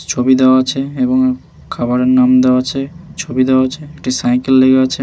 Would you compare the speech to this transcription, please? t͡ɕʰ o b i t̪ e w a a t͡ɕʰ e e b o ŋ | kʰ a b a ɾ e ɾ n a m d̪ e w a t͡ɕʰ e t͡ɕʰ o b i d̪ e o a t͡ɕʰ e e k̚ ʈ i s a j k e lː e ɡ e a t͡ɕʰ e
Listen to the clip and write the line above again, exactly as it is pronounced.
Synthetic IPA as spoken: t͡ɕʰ o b i d̪ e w a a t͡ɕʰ e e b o ŋ | kʰ a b a ɾ e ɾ n a m d̪ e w a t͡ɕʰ e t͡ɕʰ o b i d̪ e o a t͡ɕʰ e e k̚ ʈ i s a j k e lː e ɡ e a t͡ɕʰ e